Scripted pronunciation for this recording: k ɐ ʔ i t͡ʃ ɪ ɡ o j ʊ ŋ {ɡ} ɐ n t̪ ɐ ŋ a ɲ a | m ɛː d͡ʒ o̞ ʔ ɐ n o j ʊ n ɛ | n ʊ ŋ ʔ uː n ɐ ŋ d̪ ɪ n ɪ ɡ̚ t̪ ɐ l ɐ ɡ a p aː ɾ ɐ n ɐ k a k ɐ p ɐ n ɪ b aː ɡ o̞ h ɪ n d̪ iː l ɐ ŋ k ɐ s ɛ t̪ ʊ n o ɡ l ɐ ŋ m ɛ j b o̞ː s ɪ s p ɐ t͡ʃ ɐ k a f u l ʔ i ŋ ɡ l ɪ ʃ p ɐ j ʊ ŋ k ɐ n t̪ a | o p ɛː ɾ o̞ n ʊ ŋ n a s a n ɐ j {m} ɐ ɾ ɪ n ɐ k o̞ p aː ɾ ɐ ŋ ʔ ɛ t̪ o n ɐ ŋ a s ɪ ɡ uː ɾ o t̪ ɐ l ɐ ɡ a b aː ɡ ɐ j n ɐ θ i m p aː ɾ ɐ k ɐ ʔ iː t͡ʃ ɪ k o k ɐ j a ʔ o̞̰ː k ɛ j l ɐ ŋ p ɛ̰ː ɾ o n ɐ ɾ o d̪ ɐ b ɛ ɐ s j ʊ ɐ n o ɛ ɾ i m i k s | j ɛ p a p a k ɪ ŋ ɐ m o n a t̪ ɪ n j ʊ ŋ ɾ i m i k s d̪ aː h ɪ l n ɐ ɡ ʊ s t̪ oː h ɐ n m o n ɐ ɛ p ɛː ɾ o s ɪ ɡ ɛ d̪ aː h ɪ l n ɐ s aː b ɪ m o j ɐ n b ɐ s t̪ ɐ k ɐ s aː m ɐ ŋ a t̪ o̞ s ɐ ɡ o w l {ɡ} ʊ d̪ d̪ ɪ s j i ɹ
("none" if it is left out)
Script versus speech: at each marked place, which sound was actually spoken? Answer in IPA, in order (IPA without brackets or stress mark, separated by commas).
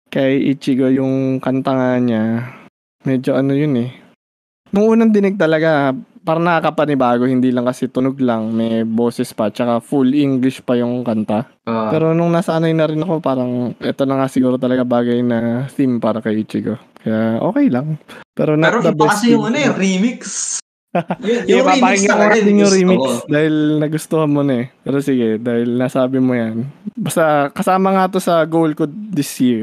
k, n, k